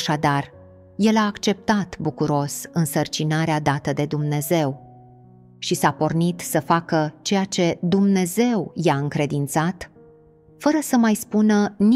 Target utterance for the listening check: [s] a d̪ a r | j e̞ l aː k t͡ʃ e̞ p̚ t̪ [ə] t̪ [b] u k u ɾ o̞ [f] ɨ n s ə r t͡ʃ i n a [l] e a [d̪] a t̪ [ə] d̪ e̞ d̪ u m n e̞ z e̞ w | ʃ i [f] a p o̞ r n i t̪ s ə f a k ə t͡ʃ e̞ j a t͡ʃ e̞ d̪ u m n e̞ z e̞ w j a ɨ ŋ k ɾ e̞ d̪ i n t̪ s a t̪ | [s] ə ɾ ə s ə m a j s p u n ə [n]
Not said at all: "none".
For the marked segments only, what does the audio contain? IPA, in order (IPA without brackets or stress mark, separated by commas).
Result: ʃ, a, b, s, ɾ, d̪, ə, s, f, n